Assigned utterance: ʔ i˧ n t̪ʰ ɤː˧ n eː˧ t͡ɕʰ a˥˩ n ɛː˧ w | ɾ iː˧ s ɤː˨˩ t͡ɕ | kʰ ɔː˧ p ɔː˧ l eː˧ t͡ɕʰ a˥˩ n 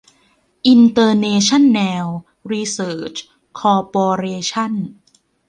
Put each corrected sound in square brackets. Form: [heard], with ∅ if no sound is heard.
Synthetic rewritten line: ʔ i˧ n [t̪] ɤː˧ n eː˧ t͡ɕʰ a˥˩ [nː] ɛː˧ w | ɾ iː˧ s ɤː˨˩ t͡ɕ | kʰ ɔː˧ p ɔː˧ [ɾ] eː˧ t͡ɕʰ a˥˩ n